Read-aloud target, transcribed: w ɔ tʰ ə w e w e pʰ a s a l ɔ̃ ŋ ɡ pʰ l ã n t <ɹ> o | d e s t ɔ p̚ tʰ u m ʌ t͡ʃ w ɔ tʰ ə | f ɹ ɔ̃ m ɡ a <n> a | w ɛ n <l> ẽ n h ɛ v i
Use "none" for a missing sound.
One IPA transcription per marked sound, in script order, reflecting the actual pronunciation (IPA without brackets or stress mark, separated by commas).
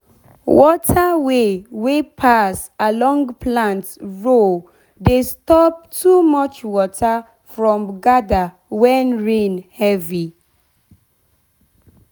ɹ, d, ɹ